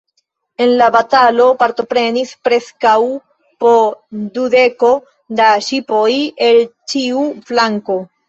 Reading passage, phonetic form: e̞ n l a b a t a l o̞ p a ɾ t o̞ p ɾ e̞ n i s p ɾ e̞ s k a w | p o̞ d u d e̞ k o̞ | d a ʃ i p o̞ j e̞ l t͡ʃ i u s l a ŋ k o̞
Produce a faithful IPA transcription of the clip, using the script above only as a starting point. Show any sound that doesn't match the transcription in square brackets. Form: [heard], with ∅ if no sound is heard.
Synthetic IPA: e̞ n l a b a t a l o̞ p a ɾ t o̞ p ɾ e̞ n i s p ɾ e̞ s k a w | p o̞ d u d e̞ k o̞ | d a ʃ i p o̞ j e̞ l t͡ʃ i u [f] l a ŋ k o̞